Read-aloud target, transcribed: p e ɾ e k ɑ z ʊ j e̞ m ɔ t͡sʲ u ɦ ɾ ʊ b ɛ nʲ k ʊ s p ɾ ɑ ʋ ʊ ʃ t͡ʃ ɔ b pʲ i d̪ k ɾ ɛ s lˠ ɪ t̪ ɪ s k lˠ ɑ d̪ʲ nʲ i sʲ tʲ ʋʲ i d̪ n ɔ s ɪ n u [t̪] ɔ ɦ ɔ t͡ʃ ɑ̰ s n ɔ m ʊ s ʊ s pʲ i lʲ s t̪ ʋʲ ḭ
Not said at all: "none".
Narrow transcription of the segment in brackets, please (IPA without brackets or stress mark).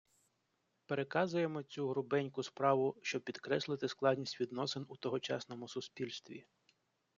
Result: t̪